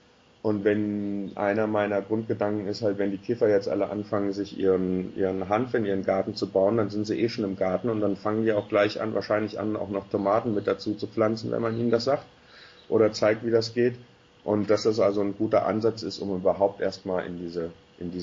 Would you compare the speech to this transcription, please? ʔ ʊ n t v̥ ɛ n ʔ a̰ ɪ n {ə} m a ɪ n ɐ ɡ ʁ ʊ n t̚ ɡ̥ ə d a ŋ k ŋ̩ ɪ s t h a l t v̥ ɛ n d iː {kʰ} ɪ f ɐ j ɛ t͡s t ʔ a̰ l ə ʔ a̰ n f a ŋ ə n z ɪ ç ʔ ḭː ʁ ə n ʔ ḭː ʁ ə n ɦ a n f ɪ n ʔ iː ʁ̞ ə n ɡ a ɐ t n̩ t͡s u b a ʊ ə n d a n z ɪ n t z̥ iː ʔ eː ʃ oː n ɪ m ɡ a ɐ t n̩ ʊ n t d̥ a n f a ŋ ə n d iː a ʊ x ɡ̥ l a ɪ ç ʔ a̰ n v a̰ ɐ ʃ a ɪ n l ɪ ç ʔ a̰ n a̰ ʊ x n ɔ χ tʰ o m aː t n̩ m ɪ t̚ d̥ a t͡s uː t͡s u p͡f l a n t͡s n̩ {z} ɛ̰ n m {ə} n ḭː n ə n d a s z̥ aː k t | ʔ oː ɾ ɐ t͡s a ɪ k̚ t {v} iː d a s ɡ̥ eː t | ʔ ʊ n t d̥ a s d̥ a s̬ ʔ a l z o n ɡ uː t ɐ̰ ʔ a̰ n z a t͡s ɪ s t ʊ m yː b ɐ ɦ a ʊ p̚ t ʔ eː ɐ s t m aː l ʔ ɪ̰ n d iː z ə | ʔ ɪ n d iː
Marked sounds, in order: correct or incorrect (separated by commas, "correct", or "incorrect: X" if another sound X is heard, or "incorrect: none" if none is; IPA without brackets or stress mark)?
incorrect: ɐ, correct, incorrect: v, incorrect: a, correct